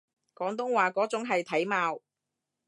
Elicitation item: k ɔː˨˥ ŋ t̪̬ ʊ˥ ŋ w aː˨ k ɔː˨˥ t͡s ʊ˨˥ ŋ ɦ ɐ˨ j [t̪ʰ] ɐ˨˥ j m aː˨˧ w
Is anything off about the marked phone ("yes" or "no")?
no